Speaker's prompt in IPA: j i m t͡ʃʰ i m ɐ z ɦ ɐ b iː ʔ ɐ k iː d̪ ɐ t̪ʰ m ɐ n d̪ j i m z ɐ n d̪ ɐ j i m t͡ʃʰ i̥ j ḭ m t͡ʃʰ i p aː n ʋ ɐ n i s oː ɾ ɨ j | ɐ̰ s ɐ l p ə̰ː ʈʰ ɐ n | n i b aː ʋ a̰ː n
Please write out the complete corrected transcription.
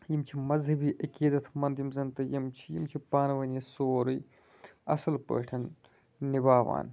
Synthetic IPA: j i m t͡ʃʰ i m ɐ z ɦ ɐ b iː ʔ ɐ k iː d̪ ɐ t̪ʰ m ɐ n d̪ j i m z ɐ n t̪ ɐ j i m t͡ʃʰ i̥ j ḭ m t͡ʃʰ i p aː n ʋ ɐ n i s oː ɾ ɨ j | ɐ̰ s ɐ l p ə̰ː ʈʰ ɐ n | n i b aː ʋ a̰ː n